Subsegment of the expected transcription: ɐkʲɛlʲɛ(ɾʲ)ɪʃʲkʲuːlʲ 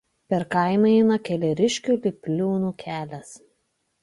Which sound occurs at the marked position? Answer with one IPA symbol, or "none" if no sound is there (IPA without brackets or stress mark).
ɾʲ